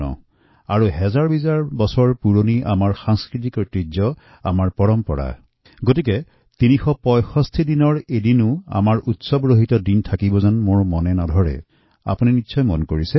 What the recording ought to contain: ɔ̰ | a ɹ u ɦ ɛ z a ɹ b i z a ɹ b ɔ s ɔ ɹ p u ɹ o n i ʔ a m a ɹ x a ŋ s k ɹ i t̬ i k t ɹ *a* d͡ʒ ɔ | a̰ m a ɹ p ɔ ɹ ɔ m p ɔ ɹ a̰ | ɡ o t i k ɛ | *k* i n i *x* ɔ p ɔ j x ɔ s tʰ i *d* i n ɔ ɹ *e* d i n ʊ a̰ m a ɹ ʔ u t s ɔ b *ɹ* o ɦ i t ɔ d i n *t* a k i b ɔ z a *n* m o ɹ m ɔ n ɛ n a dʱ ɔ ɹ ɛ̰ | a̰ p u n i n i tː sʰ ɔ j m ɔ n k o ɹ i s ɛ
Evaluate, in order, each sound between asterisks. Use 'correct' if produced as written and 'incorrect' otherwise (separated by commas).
incorrect, incorrect, correct, correct, correct, correct, incorrect, correct